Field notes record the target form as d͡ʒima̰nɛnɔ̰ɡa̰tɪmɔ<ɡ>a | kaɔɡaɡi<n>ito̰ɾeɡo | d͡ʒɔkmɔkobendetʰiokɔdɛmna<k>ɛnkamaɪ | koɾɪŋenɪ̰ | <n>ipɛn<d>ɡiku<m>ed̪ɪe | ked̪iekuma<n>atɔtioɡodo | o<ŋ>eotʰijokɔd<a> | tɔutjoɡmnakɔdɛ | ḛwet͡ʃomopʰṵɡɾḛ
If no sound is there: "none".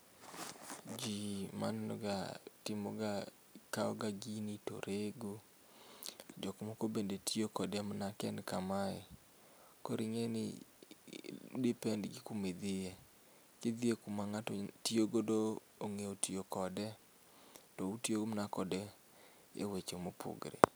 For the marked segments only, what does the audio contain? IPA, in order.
ɡ, n, k, d, d, m, ŋ, ŋ, ɛ

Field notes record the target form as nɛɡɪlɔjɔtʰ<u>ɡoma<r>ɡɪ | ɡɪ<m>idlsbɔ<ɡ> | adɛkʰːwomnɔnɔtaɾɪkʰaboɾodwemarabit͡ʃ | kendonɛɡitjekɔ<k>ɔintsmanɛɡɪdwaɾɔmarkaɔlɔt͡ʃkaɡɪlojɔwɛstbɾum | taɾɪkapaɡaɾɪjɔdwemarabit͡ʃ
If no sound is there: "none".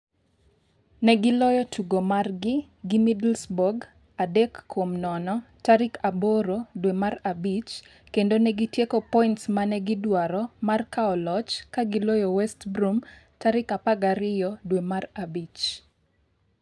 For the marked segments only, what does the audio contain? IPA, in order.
u, r, m, ɡ, p

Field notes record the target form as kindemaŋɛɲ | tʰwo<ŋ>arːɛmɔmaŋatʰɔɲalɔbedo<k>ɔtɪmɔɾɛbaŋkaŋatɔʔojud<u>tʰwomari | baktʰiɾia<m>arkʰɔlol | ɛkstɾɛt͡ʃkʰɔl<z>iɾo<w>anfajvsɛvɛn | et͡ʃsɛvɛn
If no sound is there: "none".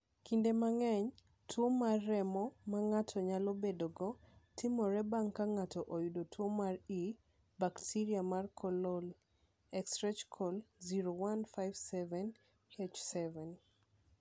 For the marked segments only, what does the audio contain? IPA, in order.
m, ɡ, o, m, z, w

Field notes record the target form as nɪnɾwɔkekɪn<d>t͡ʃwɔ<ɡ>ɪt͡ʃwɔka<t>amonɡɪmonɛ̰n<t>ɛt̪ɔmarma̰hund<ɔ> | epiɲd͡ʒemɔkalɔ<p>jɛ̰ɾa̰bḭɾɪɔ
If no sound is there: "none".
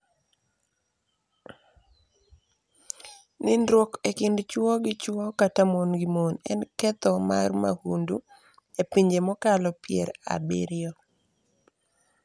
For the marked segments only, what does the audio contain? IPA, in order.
d, ɡ, t, k, u, p

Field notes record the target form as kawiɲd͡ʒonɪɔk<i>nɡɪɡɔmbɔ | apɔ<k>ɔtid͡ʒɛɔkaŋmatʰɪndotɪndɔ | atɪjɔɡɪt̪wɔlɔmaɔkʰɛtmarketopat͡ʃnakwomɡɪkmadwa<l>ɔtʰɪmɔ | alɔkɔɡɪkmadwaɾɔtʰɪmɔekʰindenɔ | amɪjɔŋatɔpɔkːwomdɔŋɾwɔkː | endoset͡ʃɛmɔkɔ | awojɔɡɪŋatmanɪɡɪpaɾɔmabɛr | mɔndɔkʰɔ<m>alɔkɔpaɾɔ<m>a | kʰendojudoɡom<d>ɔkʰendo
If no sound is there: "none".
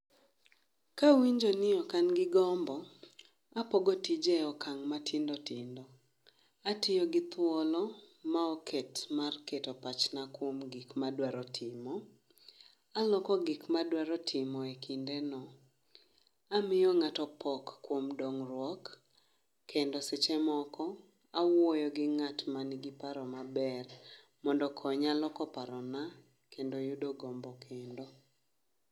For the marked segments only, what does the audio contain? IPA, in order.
a, ɡ, ɾ, ɲ, n, b

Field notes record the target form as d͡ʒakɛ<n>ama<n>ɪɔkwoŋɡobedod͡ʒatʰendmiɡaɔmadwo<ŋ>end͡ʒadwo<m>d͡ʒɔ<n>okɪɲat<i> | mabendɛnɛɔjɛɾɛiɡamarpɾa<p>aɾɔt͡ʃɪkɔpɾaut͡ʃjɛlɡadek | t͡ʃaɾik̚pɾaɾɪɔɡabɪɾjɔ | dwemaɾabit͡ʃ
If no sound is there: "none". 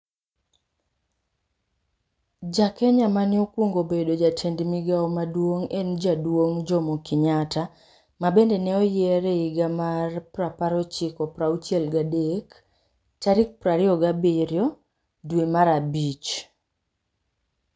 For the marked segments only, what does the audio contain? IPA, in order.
ɲ, n, ŋ, ŋ, m, a, p

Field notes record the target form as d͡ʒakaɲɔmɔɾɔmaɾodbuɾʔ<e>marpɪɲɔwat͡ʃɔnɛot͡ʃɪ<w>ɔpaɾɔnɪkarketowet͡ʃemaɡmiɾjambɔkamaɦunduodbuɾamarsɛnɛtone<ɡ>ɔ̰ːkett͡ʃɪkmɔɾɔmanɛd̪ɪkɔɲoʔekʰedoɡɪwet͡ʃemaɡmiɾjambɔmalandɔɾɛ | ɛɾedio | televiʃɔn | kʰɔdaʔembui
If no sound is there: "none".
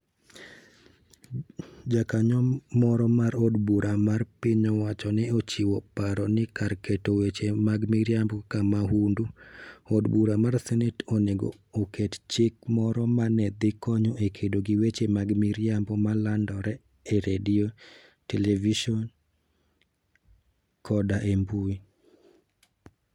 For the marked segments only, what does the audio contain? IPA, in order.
a, w, ɡ

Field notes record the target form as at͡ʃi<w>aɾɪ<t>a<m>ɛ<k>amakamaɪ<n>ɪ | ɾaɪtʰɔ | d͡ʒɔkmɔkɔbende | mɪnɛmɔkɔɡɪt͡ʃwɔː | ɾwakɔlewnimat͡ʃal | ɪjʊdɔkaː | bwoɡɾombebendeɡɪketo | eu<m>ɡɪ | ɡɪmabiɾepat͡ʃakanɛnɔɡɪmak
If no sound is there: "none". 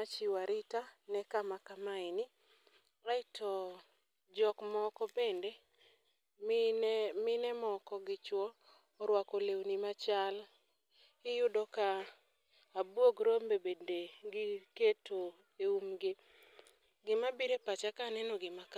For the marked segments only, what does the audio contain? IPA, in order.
w, t, n, k, n, m

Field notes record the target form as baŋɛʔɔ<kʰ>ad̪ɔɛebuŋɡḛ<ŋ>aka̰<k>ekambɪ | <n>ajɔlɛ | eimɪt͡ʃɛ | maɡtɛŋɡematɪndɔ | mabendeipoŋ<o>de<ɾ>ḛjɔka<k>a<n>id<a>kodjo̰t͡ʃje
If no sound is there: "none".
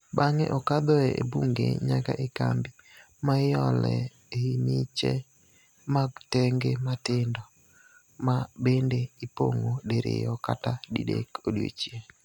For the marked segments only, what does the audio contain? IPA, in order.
k, ɲ, ʔ, m, o, ɾ, t, d, e

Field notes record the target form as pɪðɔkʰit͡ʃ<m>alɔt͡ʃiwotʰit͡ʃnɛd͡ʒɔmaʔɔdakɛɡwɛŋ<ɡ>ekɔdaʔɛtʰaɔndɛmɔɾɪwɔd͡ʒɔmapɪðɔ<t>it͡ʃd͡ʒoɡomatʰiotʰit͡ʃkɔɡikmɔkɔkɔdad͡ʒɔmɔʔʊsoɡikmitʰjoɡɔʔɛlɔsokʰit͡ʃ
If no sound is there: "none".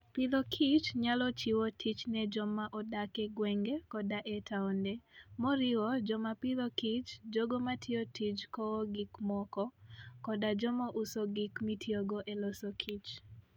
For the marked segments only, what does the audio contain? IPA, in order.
ɲ, ɡ, k

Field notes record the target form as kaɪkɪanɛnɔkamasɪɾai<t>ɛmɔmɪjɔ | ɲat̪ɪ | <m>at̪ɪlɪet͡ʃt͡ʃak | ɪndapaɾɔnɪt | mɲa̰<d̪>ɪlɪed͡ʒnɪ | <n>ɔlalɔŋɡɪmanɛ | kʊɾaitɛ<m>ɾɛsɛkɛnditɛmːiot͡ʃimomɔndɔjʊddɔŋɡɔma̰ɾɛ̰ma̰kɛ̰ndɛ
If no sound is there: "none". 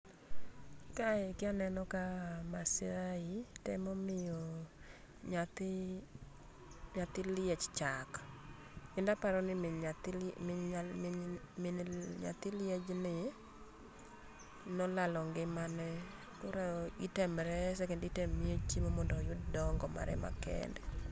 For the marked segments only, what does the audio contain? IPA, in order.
t, ɲ, t̪, n, m

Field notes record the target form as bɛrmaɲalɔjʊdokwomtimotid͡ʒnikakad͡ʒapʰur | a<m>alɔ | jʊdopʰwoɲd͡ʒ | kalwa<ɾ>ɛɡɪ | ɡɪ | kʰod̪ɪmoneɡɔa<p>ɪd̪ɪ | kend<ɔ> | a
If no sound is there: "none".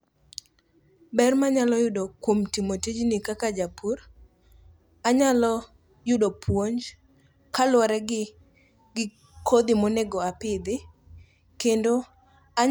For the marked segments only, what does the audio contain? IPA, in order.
ɲ, ɾ, p, o

